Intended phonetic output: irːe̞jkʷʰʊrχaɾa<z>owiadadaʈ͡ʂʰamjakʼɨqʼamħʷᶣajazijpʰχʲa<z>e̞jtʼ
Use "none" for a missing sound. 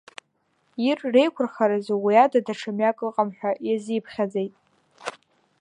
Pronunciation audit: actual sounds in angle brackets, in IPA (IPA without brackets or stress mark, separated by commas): z, d͡z